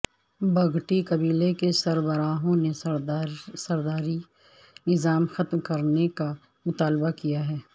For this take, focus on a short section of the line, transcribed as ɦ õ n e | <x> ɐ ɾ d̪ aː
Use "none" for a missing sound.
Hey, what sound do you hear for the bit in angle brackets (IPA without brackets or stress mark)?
s